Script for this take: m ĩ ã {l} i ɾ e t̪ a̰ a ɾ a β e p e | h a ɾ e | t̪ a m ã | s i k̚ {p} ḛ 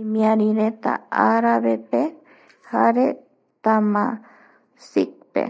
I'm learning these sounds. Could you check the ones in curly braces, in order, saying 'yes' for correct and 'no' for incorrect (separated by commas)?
no, yes